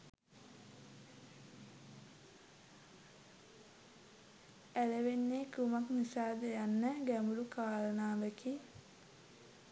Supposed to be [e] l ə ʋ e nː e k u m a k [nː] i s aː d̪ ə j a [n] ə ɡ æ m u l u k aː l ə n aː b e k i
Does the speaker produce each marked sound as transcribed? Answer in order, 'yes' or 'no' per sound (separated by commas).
no, no, no